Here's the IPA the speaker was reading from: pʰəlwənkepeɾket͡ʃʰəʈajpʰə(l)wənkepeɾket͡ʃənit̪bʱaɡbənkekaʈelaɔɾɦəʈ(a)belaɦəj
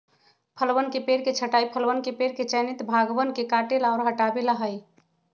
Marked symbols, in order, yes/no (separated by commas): yes, yes